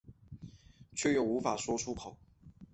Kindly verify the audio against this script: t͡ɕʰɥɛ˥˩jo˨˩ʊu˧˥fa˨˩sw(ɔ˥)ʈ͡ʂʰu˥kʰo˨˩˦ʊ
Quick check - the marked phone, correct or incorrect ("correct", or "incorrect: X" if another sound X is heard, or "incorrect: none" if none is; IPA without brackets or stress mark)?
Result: correct